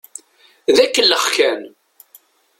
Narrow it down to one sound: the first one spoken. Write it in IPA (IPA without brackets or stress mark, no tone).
ð